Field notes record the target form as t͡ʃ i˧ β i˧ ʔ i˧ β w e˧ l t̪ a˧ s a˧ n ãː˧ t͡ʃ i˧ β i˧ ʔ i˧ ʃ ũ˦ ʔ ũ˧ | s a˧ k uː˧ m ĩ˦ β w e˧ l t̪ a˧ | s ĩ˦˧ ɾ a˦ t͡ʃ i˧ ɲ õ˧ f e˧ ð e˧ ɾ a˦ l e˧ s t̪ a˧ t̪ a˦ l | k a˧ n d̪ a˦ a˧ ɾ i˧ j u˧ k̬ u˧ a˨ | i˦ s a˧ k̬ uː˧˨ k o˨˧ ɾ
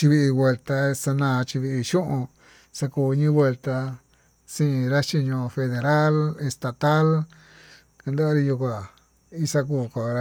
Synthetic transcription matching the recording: t͡ʃ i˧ β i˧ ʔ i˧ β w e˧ l t̪ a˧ s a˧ n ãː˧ t͡ʃ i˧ β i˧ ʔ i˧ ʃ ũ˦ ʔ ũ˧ | s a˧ k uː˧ ɲ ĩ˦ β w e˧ l t̪ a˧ | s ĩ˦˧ ɾ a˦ t͡ʃ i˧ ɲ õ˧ f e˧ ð e˧ ɾ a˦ l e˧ s t̪ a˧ t̪ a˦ l | k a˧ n d̪ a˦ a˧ ɾ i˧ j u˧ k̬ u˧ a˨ | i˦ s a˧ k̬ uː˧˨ k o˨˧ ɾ

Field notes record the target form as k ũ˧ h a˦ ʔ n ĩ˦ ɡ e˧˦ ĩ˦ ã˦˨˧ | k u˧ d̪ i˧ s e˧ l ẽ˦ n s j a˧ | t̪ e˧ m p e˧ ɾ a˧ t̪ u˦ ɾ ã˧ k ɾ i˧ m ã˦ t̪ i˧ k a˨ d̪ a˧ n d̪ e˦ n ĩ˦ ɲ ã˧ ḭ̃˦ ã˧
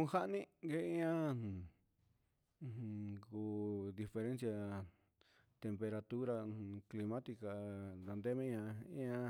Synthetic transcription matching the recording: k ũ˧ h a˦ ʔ n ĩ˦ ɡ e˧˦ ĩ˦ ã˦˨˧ | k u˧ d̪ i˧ f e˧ ɾ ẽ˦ n s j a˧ | t̪ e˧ m p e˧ ɾ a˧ t̪ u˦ ɾ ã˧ k l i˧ m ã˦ t̪ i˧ k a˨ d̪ a˧ n d̪ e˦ m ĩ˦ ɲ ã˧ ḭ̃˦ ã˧

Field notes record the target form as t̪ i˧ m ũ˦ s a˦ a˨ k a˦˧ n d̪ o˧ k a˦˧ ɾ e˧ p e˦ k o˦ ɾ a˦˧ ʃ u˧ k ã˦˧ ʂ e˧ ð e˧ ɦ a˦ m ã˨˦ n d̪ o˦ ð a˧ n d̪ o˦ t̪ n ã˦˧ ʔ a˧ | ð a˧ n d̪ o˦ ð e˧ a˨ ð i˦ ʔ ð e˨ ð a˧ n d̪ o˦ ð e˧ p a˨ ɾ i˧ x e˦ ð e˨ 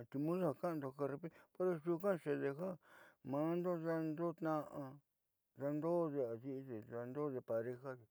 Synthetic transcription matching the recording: t̪ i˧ m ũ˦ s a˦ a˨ k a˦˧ n d̪ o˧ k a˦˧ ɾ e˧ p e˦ p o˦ ɾ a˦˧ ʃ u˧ k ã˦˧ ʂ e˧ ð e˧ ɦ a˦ m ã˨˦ n d̪ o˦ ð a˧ n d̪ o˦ t̪ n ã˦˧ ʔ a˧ | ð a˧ n d̪ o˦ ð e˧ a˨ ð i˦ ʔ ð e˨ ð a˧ n d̪ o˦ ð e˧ p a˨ ɾ e˧ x a˦ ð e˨

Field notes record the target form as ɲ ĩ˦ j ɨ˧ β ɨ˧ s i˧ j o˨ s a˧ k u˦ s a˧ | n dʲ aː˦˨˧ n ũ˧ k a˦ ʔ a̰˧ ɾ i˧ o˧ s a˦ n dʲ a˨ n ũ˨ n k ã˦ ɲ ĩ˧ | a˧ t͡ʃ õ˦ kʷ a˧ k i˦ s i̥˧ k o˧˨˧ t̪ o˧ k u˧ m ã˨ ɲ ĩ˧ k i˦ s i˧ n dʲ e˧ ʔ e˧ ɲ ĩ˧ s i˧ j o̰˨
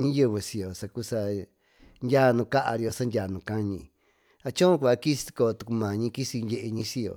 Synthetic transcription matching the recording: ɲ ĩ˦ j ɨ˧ β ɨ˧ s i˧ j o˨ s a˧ k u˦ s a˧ | n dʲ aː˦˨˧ n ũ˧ k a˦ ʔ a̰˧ ɾ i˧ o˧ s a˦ n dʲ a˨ n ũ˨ k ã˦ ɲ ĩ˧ | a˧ t͡ʃ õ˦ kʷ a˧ k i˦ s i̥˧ k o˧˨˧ t̪ u˧ k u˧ m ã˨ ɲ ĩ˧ k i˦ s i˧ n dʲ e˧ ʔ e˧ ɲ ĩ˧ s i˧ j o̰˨

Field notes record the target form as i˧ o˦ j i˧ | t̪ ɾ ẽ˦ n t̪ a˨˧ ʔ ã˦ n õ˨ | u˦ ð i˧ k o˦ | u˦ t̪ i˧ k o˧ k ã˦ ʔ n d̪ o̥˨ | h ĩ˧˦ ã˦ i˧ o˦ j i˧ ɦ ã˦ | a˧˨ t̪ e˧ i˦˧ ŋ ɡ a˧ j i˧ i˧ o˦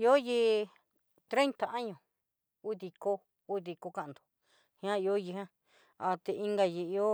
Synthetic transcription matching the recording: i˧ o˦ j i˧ | t̪ ɾ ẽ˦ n t̪ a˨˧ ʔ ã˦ ɲ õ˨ | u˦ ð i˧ k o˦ | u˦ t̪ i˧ k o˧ k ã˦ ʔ n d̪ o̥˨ | h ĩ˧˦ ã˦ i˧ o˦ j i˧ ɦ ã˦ | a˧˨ t̪ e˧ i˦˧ ŋ ɡ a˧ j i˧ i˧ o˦

